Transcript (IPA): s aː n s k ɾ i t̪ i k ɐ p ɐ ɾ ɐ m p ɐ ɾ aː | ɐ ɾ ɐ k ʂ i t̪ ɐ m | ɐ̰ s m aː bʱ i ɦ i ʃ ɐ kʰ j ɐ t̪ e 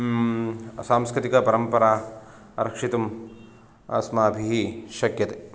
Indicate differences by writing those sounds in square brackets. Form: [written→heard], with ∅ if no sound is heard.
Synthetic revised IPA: s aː [n→m] s k ɾ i t̪ i k ɐ p ɐ ɾ ɐ m p ɐ ɾ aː | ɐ ɾ ɐ k ʂ i t̪ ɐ m | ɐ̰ s m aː bʱ i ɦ i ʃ ɐ [kʰ→k] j ɐ t̪ e

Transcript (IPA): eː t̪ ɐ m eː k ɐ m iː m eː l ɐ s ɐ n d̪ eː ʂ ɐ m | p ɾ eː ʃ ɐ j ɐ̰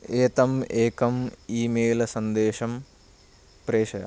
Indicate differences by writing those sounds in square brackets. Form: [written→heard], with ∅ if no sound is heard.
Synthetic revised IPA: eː t̪ ɐ m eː k ɐ m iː m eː l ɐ s ɐ n d̪ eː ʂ ɐ m | p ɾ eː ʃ ɐ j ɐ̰

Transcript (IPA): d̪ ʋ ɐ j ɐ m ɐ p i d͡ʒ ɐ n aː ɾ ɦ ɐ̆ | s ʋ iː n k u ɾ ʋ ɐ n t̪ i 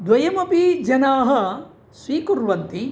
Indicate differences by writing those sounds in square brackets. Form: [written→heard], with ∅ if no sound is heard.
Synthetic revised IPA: d̪ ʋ ɐ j ɐ m ɐ p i d͡ʒ ɐ n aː [ɾ→∅] ɦ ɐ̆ | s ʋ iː [n→∅] k u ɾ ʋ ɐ n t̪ i

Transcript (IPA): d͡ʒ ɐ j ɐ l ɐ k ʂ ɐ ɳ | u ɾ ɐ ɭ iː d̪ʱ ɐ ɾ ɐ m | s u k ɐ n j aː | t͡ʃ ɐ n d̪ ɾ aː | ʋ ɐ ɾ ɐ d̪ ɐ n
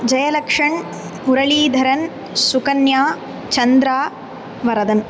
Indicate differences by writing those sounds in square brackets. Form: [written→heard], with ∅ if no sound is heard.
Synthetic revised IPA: d͡ʒ ɐ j ɐ l ɐ k ʂ ɐ ɳ | u ɾ ɐ ɭ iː d̪ʱ ɐ ɾ ɐ [m→n] | s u k ɐ n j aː | t͡ʃ ɐ n d̪ ɾ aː | ʋ ɐ ɾ ɐ d̪ ɐ n

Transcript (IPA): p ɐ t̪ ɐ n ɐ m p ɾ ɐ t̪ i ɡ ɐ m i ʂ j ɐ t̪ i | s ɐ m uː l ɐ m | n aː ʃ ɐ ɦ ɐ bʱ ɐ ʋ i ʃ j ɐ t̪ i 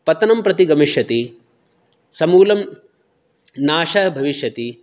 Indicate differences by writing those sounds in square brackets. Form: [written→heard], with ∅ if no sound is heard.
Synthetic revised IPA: p ɐ t̪ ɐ n ɐ m p ɾ ɐ t̪ i ɡ ɐ m i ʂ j ɐ t̪ i | s ɐ m uː l ɐ m | n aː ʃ ɐ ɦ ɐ bʱ ɐ ʋ i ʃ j ɐ t̪ i

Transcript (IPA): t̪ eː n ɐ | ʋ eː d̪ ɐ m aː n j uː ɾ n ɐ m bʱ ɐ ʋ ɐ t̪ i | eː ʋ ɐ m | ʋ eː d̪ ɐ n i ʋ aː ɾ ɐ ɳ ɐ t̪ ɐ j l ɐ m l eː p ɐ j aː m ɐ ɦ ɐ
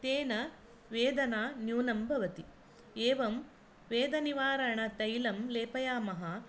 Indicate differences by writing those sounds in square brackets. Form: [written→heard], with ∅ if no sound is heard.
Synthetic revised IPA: t̪ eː n ɐ | ʋ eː d̪ ɐ [m→n] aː n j uː [ɾ→∅] n ɐ m bʱ ɐ ʋ ɐ t̪ i | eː ʋ ɐ m | ʋ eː d̪ ɐ n i ʋ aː ɾ ɐ ɳ ɐ t̪ ɐ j l ɐ m l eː p ɐ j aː m ɐ ɦ ɐ

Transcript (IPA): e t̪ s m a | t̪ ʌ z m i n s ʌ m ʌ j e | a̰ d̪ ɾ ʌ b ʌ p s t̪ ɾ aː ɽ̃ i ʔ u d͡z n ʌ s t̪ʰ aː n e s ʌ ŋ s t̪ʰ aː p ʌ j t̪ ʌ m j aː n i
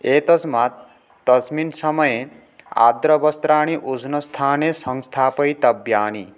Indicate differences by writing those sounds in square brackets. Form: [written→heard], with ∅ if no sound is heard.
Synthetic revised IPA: e t̪ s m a | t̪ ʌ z m i n s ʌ m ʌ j e | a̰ d̪ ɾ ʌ b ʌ [p→∅] s t̪ ɾ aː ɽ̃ i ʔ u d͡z n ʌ s t̪ʰ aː n e s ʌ ŋ s t̪ʰ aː p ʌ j t̪ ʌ [m→b] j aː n i

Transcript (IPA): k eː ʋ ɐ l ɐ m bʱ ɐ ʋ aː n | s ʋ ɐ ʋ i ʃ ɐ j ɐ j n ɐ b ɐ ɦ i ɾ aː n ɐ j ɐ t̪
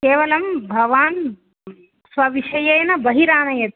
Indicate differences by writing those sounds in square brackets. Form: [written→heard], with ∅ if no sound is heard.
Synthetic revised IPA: k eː ʋ ɐ l ɐ m bʱ ɐ ʋ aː n | s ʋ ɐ ʋ i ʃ ɐ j ɐ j n ɐ b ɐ ɦ i ɾ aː n ɐ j ɐ t̪

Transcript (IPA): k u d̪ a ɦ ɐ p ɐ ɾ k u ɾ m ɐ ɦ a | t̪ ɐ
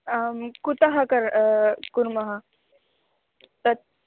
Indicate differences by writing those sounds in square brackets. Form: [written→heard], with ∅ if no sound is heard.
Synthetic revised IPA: k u [d̪→t̪] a ɦ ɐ [p→k] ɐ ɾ k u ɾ m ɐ ɦ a | t̪ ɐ

